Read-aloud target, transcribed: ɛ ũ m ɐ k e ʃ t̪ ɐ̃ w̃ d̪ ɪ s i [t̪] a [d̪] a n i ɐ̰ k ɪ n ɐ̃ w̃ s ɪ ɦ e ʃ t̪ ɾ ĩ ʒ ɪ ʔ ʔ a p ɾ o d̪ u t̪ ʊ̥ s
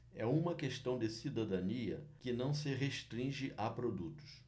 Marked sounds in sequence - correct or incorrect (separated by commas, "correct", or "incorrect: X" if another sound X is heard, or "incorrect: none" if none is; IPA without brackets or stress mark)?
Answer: incorrect: d̪, correct